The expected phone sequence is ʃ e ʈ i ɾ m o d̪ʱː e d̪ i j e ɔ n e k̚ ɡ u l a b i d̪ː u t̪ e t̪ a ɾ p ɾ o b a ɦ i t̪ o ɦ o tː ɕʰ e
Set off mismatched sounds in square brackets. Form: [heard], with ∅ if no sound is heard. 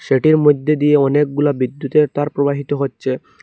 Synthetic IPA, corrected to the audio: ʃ e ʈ i ɾ m o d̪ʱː e d̪ i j e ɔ n e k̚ ɡ u l a b i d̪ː u t̪ e t̪ a ɾ p ɾ o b a ɦ i t̪ o ɦ o tː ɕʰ e